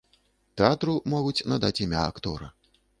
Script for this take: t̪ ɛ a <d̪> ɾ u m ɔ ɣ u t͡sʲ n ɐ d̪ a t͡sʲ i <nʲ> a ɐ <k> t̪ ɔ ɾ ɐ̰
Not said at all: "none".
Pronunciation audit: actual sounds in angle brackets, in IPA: t̪, mʲ, k

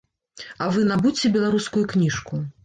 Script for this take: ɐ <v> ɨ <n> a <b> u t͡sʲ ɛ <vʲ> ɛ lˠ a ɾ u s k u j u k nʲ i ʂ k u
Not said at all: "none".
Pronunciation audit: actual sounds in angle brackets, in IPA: v, n, b, bʲ

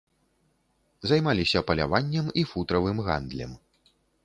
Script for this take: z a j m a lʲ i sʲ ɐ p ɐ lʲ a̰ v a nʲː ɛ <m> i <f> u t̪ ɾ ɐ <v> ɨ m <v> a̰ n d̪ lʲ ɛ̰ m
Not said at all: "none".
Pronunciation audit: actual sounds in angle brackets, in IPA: m, f, v, ɣ

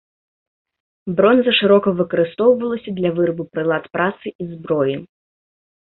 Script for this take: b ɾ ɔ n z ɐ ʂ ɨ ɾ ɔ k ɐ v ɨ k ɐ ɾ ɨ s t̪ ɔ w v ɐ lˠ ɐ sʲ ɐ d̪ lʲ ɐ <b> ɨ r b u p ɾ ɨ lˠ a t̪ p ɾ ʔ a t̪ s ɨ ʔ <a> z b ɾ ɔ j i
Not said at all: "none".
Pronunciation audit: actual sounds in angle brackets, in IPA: v, i

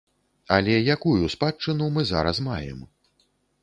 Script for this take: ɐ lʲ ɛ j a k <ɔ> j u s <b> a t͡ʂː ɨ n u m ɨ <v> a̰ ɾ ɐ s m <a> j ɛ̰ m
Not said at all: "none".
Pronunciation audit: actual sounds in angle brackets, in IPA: u, p, z, a

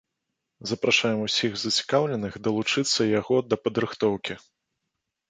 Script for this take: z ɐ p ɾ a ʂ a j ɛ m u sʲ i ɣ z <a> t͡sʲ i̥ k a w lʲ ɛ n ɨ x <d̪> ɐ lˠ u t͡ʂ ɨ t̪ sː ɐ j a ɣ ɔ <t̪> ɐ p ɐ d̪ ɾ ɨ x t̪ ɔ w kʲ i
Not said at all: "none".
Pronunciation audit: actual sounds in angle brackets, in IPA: ɐ, d̪, d̪

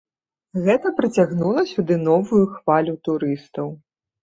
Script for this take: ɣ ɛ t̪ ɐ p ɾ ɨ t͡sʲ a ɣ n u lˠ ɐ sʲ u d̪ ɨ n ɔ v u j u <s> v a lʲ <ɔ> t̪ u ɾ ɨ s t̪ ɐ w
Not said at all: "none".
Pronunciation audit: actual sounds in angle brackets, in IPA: x, u

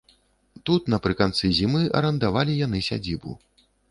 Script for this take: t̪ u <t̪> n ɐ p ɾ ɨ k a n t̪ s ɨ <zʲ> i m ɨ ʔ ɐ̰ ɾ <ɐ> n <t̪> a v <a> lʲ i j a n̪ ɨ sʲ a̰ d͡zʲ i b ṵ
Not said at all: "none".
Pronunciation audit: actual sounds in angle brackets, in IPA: t̪, zʲ, ɐ, d̪, a

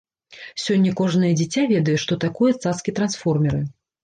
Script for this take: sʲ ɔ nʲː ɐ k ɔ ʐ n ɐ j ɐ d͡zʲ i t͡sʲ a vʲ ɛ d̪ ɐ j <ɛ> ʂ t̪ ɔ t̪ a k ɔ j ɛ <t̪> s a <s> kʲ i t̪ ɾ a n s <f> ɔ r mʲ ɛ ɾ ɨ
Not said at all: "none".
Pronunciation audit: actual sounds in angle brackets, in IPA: ɛ, t̪, s, f

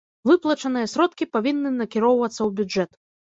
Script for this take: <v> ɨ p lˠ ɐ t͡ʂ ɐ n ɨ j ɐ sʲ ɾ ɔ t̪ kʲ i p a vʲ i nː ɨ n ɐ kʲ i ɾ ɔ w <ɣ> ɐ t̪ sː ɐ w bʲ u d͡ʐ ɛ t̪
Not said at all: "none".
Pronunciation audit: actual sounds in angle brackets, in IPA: v, v

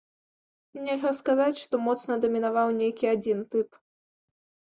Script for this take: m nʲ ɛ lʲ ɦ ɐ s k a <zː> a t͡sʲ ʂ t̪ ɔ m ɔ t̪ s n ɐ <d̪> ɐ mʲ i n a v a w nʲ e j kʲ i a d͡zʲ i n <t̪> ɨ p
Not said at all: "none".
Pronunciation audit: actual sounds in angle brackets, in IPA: z, d̪, t̪

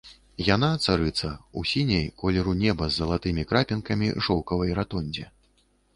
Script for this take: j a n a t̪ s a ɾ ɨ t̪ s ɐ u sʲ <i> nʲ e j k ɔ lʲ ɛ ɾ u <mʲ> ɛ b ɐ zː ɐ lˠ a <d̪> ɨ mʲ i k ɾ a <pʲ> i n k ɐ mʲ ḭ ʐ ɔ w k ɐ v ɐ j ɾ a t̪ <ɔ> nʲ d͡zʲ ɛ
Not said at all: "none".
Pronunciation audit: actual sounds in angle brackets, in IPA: i, nʲ, t̪, pʲ, ɔ

